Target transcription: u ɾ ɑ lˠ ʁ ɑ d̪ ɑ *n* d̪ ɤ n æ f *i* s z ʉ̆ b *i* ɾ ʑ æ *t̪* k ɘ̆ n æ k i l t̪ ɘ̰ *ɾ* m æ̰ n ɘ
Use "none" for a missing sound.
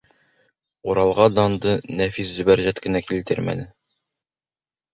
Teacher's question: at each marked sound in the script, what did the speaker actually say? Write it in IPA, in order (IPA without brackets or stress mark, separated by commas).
n, i, æ, t̪, ɾ